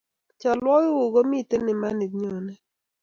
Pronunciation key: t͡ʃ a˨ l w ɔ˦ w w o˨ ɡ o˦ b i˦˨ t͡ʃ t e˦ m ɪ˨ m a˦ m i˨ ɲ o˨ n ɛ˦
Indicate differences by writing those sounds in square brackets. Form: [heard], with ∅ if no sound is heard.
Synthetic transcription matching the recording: t͡ʃ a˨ l w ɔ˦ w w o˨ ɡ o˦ [m] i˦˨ [∅] t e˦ [n] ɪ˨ m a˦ [n] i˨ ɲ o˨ n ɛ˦

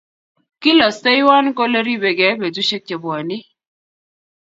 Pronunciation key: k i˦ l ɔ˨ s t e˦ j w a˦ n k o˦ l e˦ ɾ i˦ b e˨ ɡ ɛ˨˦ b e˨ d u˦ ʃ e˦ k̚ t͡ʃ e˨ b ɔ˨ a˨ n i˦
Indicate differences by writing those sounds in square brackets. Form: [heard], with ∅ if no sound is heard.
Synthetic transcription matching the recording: k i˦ l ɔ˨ s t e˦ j w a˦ n k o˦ l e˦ ɾ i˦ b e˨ ɡ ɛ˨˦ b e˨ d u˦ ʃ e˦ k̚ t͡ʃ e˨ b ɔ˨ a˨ n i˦

